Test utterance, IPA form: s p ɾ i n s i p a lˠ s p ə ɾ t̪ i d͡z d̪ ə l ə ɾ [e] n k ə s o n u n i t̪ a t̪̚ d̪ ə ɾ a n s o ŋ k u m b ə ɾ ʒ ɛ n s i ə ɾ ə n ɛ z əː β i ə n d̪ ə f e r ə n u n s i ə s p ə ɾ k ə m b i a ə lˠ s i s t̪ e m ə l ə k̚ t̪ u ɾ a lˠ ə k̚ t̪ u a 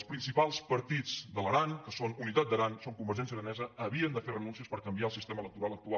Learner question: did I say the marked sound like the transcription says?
no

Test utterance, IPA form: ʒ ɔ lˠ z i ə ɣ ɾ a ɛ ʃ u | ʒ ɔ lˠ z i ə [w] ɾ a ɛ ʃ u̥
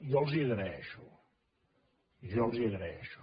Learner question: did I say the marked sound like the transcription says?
no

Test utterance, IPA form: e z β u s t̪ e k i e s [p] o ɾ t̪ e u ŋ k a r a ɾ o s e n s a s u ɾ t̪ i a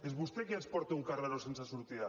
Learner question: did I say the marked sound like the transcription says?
yes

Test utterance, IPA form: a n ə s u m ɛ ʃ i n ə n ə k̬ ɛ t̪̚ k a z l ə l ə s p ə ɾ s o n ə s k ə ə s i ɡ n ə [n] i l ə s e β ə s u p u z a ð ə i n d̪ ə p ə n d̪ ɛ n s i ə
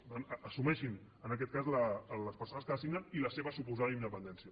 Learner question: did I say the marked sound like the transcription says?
yes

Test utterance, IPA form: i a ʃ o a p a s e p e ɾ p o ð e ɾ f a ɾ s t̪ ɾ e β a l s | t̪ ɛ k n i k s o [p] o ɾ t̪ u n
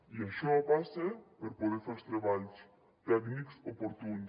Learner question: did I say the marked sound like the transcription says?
yes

